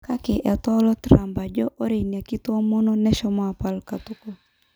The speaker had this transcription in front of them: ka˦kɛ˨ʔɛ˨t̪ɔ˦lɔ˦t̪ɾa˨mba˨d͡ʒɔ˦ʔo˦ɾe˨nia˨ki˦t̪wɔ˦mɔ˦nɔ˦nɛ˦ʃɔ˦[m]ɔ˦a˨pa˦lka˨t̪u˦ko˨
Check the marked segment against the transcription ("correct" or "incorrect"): correct